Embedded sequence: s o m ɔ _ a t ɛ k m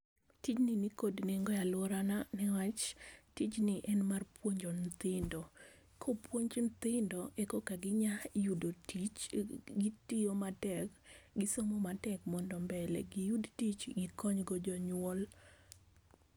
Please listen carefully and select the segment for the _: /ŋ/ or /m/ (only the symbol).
m